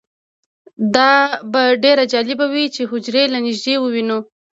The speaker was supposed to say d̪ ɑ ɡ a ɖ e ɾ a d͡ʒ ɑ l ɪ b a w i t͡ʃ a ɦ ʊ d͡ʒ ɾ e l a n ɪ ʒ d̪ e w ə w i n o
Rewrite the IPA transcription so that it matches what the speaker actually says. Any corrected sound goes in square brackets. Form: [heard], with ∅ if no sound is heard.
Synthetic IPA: d̪ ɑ [b] a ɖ e ɾ a d͡ʒ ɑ l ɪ b a w i t͡ʃ [e] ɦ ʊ d͡ʒ ɾ e l a n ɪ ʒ d̪ e w ə w i n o